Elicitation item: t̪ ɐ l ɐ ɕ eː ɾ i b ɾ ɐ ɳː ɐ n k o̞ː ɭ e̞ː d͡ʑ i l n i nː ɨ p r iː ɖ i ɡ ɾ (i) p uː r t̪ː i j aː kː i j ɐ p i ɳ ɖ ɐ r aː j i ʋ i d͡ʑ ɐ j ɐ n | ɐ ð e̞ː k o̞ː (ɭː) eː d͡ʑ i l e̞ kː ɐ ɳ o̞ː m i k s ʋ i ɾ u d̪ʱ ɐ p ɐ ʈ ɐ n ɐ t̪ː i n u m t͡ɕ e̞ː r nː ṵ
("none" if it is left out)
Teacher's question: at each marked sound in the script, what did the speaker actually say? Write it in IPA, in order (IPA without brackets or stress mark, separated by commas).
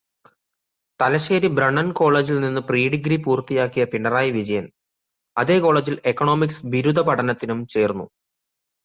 i, ɭ